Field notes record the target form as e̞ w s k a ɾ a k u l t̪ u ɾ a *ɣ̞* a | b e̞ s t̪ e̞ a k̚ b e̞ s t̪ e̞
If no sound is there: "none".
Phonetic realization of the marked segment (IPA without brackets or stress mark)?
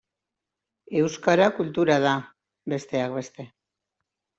ð̞